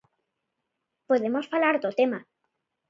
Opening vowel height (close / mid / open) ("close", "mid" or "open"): mid